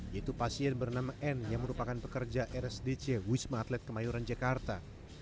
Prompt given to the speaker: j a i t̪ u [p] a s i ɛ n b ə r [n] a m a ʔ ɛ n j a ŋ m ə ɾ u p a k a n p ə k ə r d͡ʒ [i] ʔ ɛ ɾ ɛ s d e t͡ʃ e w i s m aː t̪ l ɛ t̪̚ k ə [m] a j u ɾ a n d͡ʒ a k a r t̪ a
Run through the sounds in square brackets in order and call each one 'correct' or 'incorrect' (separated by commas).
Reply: correct, correct, incorrect, correct